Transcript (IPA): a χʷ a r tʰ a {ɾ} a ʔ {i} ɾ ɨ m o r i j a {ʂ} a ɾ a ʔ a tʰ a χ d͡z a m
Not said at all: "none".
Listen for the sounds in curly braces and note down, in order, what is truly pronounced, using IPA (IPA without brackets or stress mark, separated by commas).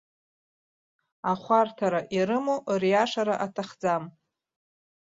ɾ, i, ʂ